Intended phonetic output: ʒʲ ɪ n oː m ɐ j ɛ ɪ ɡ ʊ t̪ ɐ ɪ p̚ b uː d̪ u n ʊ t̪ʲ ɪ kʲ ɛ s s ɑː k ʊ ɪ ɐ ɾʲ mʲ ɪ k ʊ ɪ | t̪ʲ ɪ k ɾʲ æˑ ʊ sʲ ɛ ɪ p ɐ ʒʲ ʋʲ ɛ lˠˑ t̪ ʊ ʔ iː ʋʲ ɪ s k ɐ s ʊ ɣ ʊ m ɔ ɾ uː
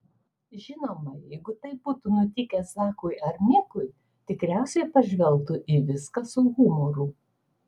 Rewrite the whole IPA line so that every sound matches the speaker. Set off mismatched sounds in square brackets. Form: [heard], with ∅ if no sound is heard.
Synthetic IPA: ʒʲ ɪ n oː m ɐ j ɛ ɪ ɡ ʊ t̪ ɐ ɪ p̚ b uː [t̪] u n ʊ t̪ʲ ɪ kʲ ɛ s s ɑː k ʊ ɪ ɐ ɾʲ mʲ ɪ k ʊ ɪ | t̪ʲ ɪ k ɾʲ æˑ ʊ sʲ ɛ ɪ p ɐ ʒʲ ʋʲ ɛ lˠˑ t̪ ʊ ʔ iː ʋʲ ɪ s k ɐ s ʊ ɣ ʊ m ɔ ɾ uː